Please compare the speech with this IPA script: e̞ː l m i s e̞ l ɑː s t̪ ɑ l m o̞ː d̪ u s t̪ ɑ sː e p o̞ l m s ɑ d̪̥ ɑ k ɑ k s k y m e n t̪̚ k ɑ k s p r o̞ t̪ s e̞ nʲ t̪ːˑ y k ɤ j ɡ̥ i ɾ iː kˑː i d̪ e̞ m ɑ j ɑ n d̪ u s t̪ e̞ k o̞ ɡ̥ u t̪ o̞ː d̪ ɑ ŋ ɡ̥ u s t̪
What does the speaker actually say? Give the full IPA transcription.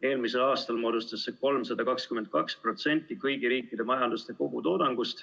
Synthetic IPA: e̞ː l m i s e̞ l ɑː s t̪ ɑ l m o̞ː d̪ u s t̪ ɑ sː e k o̞ l m s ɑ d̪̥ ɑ k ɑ k s k y m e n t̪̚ k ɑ k s p r o̞ t̪ s e̞ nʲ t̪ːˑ i k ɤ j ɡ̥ i ɾ iː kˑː i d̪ e̞ m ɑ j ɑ n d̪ u s t̪ e̞ k o̞ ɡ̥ u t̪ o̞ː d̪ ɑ ŋ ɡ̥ u s t̪